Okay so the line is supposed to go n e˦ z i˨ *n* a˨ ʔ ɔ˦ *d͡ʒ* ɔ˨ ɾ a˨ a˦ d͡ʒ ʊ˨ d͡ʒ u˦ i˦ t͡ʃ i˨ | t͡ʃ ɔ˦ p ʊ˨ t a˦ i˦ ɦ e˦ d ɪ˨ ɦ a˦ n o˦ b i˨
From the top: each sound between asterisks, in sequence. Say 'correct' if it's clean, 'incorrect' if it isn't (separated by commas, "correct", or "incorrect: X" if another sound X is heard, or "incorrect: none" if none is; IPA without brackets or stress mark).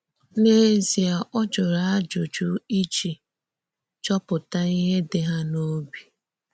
incorrect: none, correct